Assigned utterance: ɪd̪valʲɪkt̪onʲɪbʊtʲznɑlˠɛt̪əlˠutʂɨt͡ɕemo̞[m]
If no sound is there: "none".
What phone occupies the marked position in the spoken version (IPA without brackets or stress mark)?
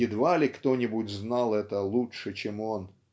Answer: n